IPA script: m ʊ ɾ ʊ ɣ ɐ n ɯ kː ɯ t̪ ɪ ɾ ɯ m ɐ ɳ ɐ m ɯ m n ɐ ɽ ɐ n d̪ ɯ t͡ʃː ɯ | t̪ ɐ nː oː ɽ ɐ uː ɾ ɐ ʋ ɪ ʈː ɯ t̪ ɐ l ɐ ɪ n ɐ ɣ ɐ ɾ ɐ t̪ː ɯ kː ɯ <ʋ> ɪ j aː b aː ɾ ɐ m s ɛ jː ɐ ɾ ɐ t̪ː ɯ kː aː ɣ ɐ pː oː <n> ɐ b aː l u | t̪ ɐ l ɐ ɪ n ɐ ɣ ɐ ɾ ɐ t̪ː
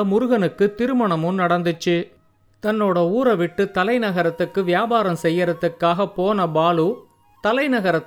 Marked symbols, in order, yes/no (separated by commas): yes, yes